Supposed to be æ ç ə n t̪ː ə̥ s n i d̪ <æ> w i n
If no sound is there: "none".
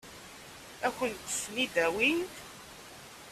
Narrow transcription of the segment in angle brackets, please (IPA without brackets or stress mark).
æ